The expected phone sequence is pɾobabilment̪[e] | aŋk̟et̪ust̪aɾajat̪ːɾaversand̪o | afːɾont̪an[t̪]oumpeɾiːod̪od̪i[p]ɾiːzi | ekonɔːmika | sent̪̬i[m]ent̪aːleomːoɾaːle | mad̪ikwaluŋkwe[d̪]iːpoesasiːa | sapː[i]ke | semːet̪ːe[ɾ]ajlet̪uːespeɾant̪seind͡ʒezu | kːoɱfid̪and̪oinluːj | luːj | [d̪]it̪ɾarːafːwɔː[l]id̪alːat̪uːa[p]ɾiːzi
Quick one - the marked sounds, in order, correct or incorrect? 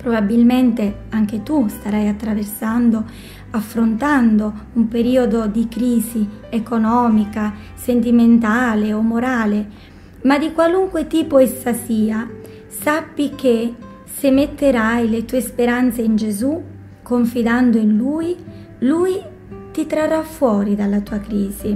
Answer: correct, incorrect, incorrect, correct, incorrect, correct, correct, incorrect, incorrect, incorrect

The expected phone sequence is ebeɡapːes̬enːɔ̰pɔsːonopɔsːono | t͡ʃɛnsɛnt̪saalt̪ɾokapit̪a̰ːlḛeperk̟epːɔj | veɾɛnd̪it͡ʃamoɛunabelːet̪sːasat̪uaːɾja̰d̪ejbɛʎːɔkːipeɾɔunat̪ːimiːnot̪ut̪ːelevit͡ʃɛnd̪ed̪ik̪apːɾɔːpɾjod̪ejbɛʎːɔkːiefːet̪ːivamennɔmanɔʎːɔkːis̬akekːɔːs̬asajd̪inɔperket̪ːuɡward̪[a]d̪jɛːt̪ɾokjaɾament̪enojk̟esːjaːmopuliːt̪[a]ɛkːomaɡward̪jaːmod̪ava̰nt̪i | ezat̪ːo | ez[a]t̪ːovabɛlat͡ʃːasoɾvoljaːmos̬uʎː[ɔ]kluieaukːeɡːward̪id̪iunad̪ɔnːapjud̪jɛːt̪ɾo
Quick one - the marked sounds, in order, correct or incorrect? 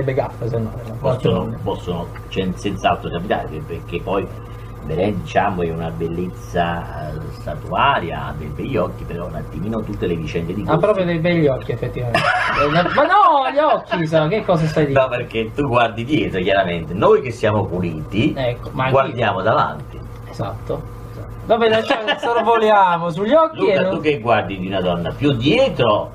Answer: incorrect, incorrect, correct, correct

